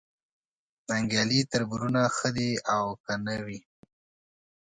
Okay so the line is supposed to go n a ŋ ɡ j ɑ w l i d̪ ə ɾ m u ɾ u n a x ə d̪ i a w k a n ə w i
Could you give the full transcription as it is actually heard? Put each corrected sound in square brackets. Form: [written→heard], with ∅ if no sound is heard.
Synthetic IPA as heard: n a ŋ ɡ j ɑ [w→∅] l i [d̪→t̪] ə ɾ [m→b] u ɾ u n a x ə d̪ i a w k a n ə w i